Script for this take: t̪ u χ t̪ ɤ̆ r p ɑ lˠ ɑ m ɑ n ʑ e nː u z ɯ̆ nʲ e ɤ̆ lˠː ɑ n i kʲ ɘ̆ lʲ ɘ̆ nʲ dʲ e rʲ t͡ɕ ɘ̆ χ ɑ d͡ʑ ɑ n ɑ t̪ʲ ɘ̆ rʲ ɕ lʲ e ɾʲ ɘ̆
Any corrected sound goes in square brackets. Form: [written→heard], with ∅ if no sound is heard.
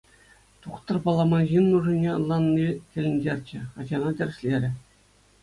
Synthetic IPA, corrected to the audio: t̪ u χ t̪ ɤ̆ r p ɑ lˠ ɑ m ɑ n ʑ [e→i] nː u [z→ʐ] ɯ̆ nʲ e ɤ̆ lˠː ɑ [n→nː] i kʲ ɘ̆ lʲ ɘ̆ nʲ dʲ e rʲ t͡ɕ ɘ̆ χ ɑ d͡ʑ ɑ n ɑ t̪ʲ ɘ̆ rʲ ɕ lʲ e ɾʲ ɘ̆